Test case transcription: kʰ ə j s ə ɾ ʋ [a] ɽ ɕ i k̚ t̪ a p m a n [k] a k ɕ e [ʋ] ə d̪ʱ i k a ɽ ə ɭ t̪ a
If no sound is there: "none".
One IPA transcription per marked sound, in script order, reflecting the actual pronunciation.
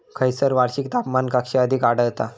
a, k, none

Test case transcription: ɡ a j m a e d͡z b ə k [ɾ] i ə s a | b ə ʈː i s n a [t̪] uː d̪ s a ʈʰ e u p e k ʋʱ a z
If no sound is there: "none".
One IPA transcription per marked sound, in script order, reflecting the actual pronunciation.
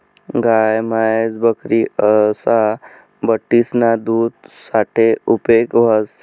ɾ, d̪

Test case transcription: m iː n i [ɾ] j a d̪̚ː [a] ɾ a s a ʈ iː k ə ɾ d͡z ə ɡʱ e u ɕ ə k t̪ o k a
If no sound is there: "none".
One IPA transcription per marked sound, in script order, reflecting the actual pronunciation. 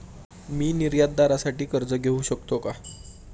ɾ, a

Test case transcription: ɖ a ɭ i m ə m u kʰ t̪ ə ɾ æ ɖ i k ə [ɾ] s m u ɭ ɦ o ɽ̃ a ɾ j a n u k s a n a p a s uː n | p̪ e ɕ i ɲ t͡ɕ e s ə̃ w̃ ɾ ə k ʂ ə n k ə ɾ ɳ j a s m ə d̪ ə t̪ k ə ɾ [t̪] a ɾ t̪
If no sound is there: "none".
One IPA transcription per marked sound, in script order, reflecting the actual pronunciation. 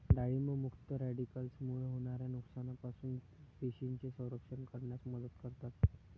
l, t̪

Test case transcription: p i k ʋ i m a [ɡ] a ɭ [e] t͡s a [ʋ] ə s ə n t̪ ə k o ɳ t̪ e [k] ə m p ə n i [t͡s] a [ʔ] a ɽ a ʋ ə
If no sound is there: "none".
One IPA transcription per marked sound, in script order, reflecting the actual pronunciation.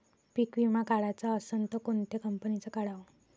k, a, none, k, t͡s, k

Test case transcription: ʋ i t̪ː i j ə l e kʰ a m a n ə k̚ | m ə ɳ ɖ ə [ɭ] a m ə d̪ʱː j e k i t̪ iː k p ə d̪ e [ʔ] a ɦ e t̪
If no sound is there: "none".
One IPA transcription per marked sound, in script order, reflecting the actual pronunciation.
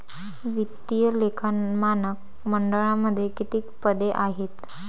ɭ, ʔ

